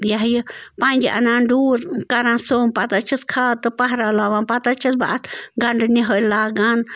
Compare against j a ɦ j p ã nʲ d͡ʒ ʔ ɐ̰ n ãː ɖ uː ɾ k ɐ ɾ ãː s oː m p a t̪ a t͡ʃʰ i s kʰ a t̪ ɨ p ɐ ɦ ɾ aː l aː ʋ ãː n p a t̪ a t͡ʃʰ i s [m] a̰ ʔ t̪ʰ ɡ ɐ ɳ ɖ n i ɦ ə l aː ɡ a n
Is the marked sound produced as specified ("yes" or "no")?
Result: no